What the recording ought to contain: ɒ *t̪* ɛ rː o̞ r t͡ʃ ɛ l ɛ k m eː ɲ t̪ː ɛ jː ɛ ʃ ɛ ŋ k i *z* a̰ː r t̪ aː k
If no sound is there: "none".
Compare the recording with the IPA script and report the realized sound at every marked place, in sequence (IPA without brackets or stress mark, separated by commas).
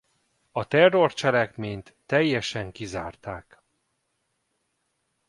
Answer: t̪, z